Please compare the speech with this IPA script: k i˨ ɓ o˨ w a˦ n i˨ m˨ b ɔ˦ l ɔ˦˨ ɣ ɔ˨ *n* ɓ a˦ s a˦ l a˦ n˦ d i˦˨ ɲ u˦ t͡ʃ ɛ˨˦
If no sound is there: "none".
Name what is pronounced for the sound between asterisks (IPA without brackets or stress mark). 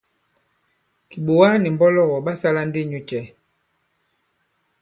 none